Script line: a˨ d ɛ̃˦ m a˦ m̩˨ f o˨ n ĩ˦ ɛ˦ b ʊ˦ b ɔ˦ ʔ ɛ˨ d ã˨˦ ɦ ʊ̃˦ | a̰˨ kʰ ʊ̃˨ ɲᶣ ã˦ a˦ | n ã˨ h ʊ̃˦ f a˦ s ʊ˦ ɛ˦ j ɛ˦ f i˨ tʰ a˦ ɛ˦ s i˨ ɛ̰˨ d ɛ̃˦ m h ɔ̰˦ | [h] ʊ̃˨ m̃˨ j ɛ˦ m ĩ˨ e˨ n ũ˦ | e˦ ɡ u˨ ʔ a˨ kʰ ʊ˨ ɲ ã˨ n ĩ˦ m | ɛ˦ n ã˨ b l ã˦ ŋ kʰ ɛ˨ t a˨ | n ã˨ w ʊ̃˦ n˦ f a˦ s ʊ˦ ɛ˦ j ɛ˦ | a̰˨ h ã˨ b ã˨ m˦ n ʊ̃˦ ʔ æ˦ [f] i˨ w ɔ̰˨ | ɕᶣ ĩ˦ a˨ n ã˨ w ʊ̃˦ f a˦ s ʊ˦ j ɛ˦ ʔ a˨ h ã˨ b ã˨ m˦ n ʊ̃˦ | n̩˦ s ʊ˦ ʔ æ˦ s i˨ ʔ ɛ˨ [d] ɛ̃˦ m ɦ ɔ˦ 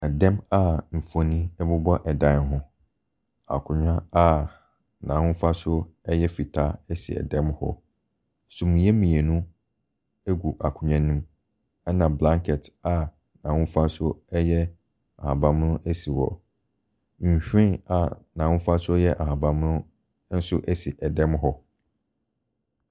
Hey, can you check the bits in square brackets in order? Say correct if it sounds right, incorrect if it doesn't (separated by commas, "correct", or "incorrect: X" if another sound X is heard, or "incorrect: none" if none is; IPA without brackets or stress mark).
incorrect: s, incorrect: s, correct